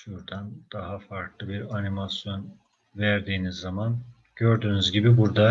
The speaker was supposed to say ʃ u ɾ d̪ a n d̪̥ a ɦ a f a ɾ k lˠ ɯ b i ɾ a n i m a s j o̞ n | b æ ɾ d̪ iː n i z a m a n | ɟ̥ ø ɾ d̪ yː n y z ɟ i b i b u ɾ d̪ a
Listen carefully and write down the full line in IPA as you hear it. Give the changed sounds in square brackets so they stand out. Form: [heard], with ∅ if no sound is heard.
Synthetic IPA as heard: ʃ u ɾ d̪ a n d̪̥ a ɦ a f a ɾ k lˠ ɯ b i ɾ a n i m a s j o̞ n | [v] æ ɾ d̪ iː n i [zː] a m a n | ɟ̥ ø ɾ d̪ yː n y z ɟ i b i b u ɾ d̪ a